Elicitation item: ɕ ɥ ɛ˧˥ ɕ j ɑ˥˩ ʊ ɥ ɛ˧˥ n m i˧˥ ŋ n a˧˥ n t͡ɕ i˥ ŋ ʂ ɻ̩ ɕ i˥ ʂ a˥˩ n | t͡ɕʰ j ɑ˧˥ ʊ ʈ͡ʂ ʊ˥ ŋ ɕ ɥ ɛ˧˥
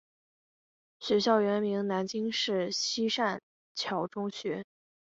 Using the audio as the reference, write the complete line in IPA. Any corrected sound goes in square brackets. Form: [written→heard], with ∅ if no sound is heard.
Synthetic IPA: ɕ ɥ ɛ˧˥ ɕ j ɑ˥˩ ʊ ɥ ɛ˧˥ n m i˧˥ ŋ n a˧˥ n t͡ɕ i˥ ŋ ʂ ɻ̩ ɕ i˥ ʂ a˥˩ n | t͡ɕʰ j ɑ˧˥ ʊ ʈ͡ʂ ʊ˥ ŋ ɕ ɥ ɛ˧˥